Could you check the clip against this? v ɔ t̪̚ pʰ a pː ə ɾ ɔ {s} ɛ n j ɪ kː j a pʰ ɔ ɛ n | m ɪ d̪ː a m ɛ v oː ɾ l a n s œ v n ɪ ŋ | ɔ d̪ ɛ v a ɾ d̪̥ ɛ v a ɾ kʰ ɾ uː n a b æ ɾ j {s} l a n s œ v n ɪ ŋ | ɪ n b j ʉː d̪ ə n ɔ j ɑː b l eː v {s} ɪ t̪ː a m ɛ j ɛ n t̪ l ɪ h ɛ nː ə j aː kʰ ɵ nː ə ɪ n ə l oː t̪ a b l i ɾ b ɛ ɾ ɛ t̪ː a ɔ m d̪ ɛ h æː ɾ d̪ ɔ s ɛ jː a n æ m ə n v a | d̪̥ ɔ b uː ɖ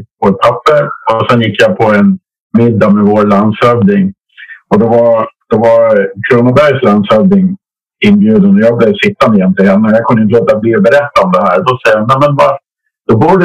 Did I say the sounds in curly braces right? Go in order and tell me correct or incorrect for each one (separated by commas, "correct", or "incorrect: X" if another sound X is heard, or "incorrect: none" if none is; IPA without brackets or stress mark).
correct, correct, correct